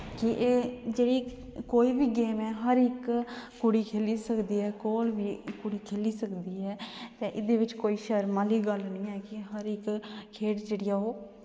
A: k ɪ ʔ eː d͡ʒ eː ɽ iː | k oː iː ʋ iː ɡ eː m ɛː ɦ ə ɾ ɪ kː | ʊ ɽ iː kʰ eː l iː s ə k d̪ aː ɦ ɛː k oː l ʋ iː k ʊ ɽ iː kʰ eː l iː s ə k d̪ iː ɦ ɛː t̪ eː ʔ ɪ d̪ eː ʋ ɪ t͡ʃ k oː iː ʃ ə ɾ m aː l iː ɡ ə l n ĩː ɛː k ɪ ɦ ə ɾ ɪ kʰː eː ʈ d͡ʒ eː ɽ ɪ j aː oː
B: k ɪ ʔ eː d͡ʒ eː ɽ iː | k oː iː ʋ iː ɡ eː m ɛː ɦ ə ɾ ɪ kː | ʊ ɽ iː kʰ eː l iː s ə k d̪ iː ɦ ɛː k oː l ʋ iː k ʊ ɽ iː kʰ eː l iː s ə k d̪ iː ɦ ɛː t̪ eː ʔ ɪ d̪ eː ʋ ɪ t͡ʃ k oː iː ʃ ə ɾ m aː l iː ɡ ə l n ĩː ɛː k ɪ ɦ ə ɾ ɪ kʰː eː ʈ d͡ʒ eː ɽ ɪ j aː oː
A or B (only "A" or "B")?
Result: B